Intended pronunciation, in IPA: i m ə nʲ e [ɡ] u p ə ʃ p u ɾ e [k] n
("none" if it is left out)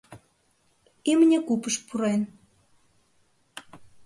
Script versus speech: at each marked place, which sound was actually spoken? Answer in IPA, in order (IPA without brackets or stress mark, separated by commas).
k, none